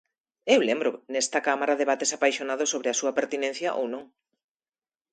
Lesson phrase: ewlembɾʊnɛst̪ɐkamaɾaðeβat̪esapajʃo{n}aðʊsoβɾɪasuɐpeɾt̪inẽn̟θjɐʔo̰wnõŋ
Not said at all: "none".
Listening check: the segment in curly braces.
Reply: n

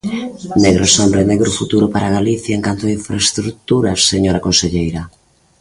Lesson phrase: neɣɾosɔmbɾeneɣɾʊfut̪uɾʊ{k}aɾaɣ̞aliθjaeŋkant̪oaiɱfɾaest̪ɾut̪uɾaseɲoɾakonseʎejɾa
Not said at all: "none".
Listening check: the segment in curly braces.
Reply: p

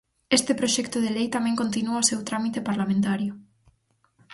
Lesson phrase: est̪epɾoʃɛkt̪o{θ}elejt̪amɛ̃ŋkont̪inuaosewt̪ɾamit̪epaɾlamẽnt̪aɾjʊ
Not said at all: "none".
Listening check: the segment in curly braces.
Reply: ð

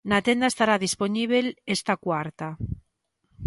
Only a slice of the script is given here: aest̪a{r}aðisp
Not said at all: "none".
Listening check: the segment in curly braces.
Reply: ɾ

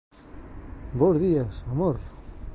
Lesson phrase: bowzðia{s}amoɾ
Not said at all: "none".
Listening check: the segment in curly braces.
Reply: s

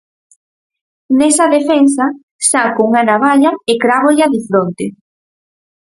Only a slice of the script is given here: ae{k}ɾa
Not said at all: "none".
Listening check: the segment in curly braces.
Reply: k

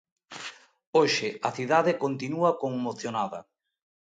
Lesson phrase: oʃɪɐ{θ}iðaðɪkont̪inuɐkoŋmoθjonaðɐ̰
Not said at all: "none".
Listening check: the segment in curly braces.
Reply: θ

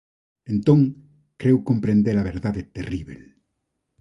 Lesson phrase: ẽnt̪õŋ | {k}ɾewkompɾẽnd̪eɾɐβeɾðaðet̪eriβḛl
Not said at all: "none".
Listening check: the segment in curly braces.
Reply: k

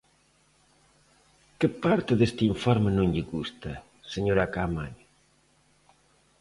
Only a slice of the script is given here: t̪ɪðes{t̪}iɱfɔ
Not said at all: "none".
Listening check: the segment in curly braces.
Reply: t̪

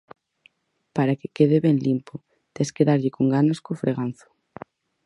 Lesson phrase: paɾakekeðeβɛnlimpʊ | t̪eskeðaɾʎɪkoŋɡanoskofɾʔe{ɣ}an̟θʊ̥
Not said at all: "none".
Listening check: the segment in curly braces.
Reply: ɣ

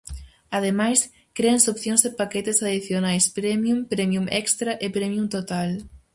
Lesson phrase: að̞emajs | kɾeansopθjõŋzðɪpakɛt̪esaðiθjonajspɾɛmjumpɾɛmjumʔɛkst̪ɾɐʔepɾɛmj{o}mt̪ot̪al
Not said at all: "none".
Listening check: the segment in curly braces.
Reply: u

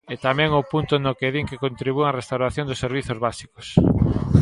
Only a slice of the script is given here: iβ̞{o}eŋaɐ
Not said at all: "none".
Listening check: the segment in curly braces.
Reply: u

